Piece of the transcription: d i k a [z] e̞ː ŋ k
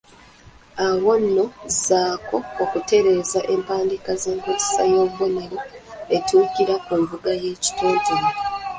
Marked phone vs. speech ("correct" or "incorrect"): correct